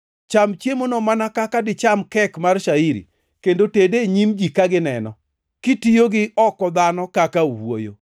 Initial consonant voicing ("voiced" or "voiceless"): voiceless